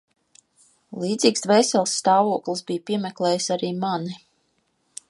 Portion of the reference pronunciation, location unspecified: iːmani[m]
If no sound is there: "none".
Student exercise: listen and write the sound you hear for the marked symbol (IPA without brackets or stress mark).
none